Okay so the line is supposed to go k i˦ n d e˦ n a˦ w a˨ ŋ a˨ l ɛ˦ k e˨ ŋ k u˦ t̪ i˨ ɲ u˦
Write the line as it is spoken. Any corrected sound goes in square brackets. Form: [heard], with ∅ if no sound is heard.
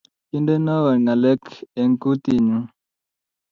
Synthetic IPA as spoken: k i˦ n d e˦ n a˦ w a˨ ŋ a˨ l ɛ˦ k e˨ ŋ k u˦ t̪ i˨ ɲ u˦